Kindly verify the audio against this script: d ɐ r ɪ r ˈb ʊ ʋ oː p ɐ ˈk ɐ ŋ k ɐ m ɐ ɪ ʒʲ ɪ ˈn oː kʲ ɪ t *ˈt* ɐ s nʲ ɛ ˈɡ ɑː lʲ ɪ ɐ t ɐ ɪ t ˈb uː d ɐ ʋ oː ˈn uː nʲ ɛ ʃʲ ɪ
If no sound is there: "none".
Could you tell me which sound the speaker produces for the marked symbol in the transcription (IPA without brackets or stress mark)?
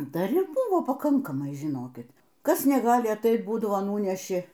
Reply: k